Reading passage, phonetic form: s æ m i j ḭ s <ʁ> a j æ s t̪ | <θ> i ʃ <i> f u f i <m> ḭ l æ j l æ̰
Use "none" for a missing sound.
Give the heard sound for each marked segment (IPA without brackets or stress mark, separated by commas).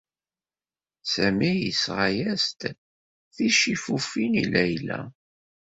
ʁ, θ, i, n